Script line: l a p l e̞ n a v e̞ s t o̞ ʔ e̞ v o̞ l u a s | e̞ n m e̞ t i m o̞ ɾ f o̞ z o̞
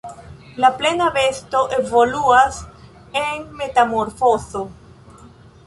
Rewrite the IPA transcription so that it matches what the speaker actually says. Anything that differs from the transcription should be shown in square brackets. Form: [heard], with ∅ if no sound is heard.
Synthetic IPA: l a p l e̞ n a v e̞ s t o̞ ʔ e̞ v o̞ l u a s | e̞ n m e̞ t [a] m o̞ ɾ f o̞ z o̞